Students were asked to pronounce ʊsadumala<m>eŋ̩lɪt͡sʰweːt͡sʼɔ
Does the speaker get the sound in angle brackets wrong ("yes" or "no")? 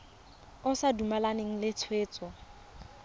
yes